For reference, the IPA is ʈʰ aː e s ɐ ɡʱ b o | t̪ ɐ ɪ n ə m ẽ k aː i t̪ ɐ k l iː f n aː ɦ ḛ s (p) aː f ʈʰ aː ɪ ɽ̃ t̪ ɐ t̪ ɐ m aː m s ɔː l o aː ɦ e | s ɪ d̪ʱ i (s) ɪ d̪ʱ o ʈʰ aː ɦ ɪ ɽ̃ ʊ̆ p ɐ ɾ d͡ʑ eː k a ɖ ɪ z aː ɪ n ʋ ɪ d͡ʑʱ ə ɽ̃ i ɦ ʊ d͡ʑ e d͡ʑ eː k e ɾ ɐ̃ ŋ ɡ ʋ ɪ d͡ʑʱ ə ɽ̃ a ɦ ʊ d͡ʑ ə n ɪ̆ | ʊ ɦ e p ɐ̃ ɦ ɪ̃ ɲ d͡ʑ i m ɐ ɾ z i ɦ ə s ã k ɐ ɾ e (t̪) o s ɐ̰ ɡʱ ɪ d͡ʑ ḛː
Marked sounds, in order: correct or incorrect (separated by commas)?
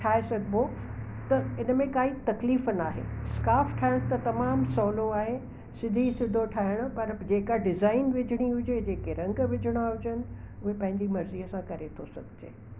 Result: incorrect, correct, incorrect